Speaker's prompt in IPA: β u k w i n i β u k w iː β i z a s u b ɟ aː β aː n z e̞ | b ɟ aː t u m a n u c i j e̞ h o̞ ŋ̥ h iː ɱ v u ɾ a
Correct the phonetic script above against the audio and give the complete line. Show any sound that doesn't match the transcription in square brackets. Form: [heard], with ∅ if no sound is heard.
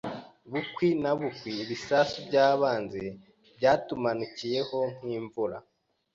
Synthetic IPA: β u k w i n [a] β u k w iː β i [s] a s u b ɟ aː β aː n z e̞ | b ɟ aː t u m a n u c i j e̞ h o̞ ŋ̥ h iː ɱ v u ɾ a